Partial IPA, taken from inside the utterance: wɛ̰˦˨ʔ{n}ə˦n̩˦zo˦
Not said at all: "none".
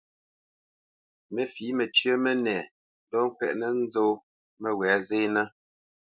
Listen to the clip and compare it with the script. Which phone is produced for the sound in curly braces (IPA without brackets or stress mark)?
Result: n